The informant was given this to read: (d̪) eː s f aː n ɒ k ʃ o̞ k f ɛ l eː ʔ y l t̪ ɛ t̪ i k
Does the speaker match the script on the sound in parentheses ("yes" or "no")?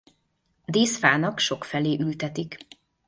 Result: yes